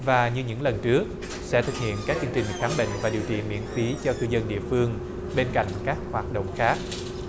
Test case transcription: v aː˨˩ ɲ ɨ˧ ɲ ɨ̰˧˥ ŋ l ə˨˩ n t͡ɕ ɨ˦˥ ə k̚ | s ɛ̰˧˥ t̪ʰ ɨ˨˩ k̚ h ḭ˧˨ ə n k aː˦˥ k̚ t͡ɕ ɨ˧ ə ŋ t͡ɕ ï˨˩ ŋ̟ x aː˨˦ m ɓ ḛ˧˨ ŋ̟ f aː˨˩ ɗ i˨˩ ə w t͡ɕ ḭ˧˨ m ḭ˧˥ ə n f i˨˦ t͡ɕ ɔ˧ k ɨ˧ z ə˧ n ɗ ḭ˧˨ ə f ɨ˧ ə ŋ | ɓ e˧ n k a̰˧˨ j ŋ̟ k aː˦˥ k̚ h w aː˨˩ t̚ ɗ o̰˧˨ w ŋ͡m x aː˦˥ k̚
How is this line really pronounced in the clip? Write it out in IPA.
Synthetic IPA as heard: v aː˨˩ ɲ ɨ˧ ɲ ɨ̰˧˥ ŋ l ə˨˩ n t͡ɕ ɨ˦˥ ə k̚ | s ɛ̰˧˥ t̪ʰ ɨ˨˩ k̚ h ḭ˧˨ ə n k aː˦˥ k̚ t͡ɕ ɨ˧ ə ŋ t͡ɕ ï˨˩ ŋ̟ x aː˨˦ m ɓ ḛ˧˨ ŋ̟ v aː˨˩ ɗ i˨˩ ə w t͡ɕ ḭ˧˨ m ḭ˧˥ ə n f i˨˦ t͡ɕ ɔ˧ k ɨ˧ z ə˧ n ɗ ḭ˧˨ ə f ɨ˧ ə ŋ | ɓ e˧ n k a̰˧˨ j ŋ̟ k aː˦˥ k̚ h w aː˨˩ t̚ ɗ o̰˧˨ w ŋ͡m x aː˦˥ k̚